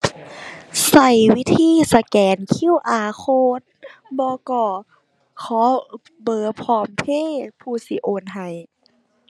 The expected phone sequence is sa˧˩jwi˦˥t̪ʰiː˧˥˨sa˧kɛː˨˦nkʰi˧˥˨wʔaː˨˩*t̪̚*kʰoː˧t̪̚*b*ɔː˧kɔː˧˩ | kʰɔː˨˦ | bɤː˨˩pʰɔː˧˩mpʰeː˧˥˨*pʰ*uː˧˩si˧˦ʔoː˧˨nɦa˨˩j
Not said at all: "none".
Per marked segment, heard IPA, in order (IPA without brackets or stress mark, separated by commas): none, b, pʰ